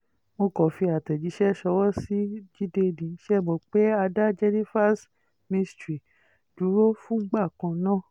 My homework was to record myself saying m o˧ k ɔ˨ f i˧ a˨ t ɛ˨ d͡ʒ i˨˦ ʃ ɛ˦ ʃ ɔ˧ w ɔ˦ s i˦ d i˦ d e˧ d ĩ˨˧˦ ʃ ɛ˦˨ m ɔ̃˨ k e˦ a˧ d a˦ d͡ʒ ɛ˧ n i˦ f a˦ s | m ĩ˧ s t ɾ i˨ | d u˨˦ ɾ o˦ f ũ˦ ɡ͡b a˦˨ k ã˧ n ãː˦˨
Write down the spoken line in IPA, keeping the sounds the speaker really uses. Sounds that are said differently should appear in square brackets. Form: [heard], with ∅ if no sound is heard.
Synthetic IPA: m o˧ k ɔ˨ f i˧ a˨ t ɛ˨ d͡ʒ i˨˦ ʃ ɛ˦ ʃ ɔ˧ w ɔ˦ s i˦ [d͡ʒ] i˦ d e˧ d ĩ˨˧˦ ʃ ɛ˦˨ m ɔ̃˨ [k͡p] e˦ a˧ d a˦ d͡ʒ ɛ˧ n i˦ f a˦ s | m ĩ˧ s t ɾ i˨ | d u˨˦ ɾ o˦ f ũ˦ ɡ͡b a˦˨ k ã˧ n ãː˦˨

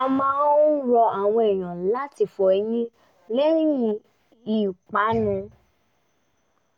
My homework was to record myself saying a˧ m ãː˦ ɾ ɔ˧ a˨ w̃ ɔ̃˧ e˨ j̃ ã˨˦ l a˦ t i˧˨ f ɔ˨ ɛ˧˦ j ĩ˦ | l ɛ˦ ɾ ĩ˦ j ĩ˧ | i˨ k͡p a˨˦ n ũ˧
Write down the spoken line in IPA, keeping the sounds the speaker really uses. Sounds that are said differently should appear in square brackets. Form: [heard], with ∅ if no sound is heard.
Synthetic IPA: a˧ m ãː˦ ɾ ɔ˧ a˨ w̃ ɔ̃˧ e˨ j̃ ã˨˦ l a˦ t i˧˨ f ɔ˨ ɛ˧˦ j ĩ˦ | l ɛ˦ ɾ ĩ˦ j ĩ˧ | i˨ k͡p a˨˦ n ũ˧

